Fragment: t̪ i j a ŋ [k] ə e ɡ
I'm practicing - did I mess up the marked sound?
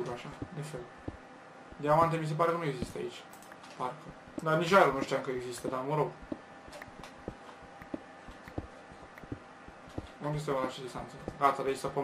no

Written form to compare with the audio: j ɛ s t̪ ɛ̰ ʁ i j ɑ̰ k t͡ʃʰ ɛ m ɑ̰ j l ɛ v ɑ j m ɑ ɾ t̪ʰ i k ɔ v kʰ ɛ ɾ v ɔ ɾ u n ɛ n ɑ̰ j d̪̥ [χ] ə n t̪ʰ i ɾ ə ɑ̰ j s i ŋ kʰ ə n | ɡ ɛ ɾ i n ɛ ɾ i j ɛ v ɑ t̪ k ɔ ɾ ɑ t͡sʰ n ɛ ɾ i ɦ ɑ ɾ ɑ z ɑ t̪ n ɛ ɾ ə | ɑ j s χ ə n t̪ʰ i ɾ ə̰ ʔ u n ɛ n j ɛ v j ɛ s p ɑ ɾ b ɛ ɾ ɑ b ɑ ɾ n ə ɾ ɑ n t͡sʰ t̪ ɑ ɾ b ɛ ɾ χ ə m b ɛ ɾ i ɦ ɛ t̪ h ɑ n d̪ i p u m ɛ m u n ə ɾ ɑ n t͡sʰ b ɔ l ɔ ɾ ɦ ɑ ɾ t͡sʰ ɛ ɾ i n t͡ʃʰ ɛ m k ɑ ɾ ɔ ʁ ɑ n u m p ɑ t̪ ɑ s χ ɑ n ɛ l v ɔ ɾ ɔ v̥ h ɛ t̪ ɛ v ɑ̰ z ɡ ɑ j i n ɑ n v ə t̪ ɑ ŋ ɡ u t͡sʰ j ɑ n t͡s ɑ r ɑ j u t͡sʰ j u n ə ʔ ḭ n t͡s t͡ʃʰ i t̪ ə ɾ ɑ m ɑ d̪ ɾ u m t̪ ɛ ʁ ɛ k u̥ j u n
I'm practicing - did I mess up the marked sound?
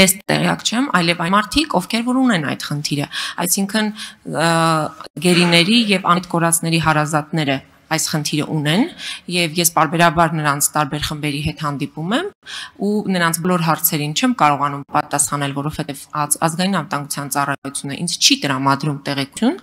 no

